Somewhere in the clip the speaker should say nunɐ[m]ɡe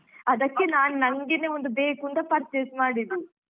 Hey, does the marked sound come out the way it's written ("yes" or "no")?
no